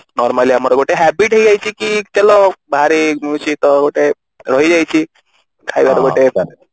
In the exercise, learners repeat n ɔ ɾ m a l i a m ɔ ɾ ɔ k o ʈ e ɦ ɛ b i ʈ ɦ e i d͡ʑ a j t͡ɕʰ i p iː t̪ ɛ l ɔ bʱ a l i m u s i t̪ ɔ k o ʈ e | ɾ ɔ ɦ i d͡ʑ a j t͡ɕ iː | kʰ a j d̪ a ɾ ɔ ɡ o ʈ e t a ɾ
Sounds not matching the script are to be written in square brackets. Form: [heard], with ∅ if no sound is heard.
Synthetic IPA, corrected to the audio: n ɔ ɾ m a l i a m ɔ ɾ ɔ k o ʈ e ɦ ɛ b i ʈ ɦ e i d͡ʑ a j [t͡ɕ] i [k] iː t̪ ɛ l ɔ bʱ a [ɾ] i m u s i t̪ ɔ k o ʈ e | ɾ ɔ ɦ i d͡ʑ a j t͡ɕ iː | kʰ a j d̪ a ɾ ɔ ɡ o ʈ e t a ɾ

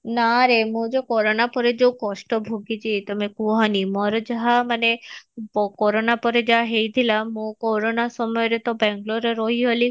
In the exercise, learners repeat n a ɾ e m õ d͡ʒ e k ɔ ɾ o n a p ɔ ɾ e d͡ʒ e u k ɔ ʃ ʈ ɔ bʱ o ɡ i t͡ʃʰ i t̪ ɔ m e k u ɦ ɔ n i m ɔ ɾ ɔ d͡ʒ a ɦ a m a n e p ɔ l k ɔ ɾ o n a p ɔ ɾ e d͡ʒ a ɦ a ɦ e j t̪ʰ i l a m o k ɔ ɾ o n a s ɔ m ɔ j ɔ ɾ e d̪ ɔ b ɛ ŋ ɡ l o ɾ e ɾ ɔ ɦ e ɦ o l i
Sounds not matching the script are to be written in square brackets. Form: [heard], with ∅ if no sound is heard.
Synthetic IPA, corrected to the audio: n a ɾ e m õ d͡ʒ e k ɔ ɾ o n a p ɔ ɾ e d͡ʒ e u k ɔ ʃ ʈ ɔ bʱ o ɡ i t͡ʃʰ i t̪ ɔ m e k u ɦ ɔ n i m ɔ ɾ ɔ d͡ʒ a ɦ a m a n e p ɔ [∅] k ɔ ɾ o n a p ɔ ɾ e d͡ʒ a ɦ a ɦ e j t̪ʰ i l a m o k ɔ ɾ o n a s ɔ m ɔ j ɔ ɾ e [t̪] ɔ b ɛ ŋ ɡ l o ɾ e ɾ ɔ ɦ [i] ɦ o l i

